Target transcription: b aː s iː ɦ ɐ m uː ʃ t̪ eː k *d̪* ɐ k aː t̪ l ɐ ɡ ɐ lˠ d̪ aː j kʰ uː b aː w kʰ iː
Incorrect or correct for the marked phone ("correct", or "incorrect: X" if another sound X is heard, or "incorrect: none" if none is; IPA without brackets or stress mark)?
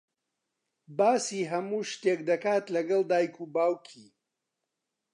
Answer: correct